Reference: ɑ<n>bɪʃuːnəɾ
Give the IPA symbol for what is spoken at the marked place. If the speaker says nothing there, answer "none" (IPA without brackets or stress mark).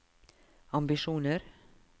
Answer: m